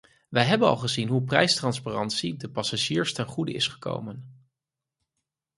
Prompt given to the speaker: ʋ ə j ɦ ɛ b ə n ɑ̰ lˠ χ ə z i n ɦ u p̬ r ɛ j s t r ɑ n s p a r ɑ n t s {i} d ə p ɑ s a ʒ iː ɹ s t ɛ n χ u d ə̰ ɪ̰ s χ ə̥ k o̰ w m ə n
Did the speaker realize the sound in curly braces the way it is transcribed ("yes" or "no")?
yes